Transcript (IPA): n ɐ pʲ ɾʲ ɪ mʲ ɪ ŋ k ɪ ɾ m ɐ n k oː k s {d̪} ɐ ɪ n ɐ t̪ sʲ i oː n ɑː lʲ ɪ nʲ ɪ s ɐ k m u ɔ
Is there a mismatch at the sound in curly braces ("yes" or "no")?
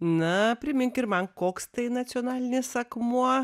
yes